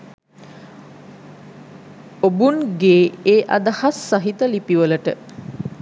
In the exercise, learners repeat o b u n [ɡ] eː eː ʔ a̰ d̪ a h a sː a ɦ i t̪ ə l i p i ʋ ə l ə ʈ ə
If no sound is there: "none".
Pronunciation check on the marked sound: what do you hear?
ɡ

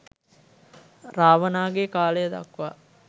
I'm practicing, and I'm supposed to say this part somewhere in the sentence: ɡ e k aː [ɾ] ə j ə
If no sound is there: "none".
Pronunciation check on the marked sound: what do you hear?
l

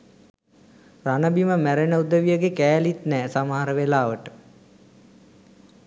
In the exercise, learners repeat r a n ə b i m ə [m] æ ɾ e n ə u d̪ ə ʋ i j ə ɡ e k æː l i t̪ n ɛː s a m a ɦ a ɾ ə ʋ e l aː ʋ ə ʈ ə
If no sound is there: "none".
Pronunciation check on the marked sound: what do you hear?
m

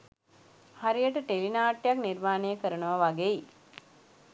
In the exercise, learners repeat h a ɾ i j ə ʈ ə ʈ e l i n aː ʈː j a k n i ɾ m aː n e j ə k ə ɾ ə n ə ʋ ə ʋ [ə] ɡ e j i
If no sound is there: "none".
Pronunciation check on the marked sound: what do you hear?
a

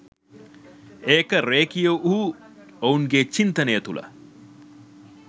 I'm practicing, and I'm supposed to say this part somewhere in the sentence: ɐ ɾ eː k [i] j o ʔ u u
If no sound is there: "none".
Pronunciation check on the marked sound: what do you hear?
i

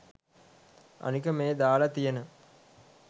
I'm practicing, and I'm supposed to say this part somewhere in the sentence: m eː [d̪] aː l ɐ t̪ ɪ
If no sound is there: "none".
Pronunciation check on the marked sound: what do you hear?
d̪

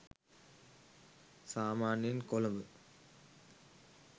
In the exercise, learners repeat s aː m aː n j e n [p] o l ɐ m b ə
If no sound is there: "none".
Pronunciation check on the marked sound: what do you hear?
k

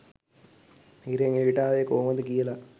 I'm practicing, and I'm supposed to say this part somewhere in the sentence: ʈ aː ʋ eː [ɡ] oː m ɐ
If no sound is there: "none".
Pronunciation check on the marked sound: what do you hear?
k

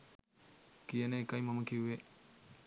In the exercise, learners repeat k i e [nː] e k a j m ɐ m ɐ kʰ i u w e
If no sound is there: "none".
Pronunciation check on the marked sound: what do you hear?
n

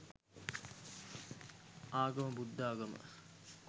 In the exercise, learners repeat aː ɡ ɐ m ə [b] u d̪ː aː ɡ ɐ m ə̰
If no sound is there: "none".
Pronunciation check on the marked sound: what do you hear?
b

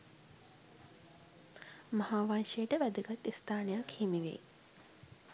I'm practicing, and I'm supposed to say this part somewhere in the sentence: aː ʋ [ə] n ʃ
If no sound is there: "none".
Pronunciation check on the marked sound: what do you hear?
a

